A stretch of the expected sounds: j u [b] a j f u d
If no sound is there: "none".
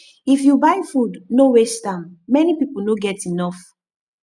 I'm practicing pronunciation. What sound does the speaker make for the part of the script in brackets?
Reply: b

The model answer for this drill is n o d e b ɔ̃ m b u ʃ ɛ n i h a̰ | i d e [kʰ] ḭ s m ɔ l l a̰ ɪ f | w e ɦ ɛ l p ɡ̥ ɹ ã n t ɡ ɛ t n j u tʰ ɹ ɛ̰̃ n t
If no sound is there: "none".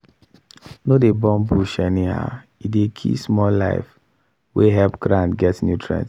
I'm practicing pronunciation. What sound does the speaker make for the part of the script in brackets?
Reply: kʰ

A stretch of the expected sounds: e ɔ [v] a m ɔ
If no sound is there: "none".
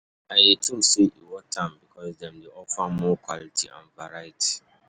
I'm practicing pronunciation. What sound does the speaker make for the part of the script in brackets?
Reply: f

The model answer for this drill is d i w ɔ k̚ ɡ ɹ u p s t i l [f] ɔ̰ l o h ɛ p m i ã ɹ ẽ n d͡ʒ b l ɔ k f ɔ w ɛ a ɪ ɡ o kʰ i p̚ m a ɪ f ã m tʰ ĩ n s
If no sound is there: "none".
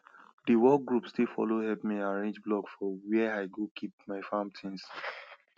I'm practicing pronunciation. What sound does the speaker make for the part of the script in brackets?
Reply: f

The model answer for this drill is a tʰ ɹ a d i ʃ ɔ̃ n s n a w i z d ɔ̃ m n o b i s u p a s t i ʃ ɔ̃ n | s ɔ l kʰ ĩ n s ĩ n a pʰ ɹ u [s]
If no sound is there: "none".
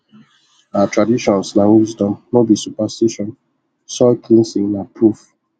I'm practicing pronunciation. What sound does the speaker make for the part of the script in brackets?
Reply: f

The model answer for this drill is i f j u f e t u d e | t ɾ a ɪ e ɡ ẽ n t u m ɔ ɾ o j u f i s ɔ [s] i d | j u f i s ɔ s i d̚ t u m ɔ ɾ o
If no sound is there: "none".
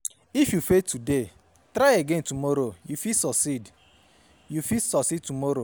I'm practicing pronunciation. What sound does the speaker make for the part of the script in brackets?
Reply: s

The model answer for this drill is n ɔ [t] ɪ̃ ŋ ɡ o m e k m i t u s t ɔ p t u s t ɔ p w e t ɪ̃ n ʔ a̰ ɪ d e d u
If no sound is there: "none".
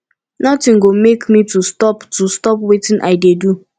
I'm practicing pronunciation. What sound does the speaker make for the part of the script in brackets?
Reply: t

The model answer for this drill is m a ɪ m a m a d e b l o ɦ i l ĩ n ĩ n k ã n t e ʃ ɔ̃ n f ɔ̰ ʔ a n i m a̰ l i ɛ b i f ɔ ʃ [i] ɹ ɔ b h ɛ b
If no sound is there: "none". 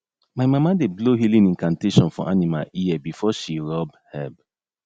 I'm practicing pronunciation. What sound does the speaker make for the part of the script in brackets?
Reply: i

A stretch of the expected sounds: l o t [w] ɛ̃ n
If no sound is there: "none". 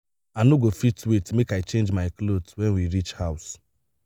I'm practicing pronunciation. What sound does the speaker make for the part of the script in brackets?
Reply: w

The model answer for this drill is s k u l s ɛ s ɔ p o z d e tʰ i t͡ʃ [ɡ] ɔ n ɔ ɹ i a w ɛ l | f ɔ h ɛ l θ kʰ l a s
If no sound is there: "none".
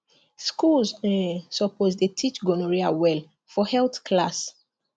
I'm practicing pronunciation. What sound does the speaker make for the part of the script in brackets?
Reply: ɡ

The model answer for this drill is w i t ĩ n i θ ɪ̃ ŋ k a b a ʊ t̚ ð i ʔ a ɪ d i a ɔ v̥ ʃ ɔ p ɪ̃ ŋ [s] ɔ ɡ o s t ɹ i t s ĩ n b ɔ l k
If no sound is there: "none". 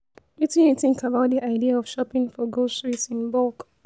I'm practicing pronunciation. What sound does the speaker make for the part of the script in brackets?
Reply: f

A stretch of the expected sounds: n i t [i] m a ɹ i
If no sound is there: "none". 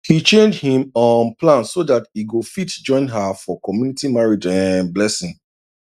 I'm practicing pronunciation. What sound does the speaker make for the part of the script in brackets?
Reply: i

